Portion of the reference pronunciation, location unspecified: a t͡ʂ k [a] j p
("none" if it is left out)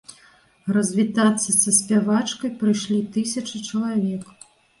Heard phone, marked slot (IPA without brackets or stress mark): ɐ